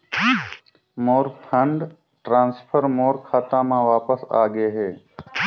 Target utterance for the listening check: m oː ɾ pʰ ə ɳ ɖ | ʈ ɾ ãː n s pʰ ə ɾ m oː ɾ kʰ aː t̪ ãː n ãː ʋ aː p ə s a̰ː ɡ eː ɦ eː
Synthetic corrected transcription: m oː ɾ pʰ ə ɳ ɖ | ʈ ɾ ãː n s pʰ ə ɾ m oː ɾ kʰ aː t̪ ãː m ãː ʋ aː p ə s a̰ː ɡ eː ɦ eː